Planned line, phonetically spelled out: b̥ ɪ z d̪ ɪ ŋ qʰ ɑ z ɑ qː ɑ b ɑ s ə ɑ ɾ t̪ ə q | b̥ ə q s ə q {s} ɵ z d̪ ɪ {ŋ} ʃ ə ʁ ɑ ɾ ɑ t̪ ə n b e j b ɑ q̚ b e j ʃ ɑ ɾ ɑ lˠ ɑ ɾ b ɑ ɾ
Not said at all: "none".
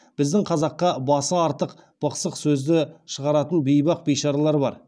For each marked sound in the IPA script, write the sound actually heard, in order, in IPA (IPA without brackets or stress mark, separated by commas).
s, none